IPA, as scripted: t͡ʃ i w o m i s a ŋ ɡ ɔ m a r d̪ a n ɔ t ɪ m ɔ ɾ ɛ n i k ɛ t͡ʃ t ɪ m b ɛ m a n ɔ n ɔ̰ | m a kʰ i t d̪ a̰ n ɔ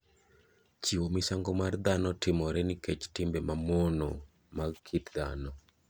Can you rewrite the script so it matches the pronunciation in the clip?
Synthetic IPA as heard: t͡ʃ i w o m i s a ŋ ɡ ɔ m a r d̪ a n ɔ t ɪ m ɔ ɾ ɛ n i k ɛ t͡ʃ t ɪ m b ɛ m a m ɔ n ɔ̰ | m a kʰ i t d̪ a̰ n ɔ